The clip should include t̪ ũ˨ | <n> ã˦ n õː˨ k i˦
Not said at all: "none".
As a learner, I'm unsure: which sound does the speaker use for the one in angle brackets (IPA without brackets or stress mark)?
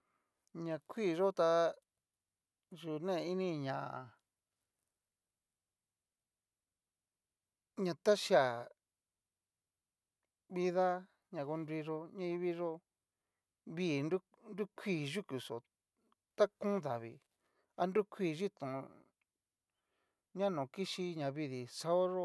ɲ